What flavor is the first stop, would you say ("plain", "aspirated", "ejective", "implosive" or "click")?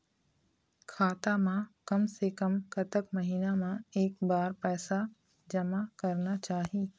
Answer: aspirated